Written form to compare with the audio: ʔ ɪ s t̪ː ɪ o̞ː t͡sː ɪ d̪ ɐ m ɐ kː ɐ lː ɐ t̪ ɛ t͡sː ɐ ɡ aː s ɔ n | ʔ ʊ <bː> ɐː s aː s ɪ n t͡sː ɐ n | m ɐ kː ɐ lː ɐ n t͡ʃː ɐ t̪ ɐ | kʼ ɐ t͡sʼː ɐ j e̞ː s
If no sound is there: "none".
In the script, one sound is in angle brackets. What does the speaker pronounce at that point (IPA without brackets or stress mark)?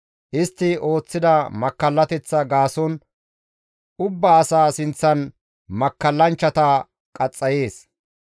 bː